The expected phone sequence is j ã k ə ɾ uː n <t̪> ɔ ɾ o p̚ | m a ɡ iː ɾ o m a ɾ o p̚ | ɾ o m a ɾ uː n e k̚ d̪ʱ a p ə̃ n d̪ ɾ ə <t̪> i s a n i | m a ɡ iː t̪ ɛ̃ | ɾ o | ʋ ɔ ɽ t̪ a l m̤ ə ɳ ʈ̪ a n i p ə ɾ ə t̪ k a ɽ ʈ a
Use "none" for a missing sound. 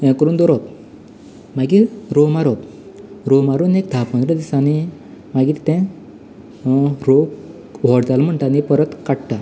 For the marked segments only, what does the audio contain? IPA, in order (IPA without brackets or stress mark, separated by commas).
d̪, d̪